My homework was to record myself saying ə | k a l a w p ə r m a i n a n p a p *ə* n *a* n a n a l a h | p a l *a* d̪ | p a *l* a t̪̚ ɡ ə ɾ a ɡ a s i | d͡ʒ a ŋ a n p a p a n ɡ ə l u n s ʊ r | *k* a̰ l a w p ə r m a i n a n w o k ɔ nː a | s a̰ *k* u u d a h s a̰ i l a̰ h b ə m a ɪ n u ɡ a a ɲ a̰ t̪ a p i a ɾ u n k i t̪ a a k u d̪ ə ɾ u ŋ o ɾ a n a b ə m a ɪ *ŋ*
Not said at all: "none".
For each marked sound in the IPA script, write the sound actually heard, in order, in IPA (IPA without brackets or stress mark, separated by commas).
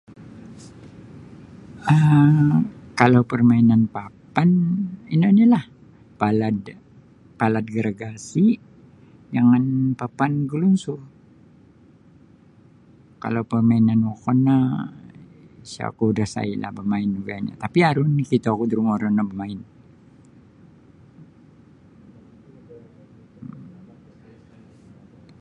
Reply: a, i, a, l, k, k, n